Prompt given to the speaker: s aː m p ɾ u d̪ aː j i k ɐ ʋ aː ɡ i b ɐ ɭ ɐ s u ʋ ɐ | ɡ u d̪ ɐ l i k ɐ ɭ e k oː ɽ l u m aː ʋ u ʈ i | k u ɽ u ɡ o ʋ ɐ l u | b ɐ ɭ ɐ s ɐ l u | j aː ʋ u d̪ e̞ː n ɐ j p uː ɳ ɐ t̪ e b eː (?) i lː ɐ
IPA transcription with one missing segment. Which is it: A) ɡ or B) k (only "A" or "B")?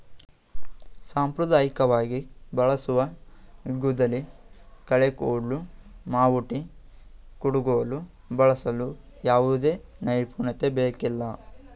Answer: B